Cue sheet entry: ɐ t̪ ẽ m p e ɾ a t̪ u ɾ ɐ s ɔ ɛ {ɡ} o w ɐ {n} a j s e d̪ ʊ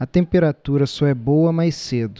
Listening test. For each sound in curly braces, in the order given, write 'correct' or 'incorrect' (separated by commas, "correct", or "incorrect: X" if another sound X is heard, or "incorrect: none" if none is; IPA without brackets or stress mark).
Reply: incorrect: b, incorrect: m